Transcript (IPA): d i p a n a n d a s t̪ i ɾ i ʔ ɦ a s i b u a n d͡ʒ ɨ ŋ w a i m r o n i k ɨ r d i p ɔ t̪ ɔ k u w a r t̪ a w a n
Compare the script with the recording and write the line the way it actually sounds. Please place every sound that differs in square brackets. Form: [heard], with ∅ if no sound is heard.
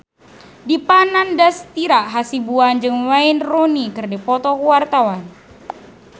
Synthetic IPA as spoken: d i p a n a n d a s t̪ i ɾ [a] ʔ ɦ a s i b u a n d͡ʒ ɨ ŋ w a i [n] r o n i k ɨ r d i p ɔ t̪ ɔ k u w a r t̪ a w a n